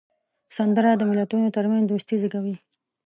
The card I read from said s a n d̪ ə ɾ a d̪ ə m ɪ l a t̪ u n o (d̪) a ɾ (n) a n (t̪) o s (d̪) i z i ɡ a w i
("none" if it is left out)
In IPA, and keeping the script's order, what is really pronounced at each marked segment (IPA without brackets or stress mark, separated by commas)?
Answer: t̪, m, d̪, t̪